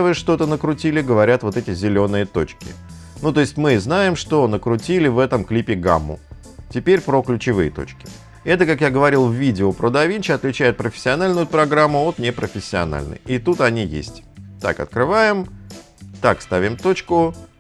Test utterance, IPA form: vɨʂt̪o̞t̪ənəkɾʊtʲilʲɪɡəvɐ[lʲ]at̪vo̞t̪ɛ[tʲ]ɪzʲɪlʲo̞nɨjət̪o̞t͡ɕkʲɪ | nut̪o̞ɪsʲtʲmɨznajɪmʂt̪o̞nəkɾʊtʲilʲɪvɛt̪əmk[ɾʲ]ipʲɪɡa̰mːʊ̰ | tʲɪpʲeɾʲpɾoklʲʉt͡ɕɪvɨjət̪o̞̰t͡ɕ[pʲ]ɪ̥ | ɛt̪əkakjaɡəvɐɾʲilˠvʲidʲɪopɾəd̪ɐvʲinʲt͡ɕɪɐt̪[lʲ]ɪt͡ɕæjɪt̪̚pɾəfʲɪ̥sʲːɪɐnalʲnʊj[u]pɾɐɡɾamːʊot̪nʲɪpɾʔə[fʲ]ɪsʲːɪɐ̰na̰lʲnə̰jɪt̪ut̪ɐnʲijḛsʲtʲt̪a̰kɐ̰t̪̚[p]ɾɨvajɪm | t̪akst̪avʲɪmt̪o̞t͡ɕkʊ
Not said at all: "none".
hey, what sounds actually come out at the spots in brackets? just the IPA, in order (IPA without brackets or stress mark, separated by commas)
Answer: ɾʲ, tʲ, lʲ, kʲ, lʲ, ʊ, fʲ, k